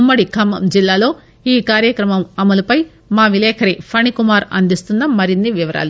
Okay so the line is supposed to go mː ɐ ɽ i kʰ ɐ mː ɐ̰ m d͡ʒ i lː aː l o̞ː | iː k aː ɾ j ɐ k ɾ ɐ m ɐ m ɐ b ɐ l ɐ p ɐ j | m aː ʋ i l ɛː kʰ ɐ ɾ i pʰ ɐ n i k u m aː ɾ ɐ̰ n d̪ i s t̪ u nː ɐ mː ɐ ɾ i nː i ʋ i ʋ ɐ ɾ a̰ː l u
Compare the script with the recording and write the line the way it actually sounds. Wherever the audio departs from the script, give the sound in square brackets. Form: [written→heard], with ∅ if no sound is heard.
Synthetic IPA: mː ɐ ɽ i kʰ ɐ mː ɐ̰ m d͡ʒ i lː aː l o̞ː | iː k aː ɾ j ɐ k ɾ ɐ m ɐ m ɐ [b→m] ɐ l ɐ p ɐ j | m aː ʋ i l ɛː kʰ ɐ ɾ i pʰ ɐ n i k u m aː ɾ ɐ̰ n d̪ i s t̪ u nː ɐ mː ɐ ɾ i nː i ʋ i ʋ ɐ ɾ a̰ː l u